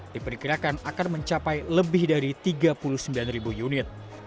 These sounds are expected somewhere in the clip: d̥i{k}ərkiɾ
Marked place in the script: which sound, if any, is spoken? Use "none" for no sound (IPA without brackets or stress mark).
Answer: p